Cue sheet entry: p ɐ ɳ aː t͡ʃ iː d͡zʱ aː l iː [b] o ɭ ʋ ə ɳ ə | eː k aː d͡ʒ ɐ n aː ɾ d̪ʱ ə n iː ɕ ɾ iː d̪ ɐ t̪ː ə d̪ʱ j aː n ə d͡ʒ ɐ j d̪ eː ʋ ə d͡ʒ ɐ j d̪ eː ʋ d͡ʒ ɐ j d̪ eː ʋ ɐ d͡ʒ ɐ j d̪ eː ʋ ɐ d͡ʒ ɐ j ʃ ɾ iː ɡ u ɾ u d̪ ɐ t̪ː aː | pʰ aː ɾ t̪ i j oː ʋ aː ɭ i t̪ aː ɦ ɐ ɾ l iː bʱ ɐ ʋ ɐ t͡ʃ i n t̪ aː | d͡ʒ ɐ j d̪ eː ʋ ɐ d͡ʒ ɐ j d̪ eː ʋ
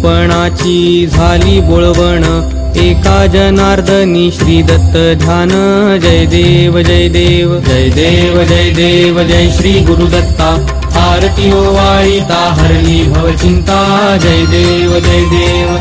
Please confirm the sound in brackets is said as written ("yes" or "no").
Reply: yes